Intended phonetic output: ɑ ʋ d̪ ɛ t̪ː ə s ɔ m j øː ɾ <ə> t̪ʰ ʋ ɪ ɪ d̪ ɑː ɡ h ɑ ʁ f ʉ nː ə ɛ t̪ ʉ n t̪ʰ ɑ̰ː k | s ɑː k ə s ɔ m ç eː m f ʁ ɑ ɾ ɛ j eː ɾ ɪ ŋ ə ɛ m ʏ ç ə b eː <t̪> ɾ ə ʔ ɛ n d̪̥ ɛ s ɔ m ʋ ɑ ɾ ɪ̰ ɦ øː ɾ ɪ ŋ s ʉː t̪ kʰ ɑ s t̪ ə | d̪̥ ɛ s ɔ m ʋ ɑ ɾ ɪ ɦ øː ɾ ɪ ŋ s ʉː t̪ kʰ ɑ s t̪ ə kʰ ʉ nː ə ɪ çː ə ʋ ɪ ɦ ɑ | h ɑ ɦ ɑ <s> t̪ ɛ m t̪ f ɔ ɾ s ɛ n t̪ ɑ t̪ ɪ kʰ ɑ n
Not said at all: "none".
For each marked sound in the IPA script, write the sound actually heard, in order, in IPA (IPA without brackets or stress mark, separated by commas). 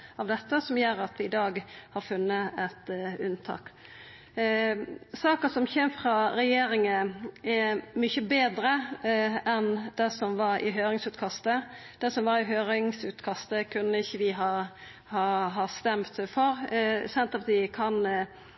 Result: ɑ, d̪, s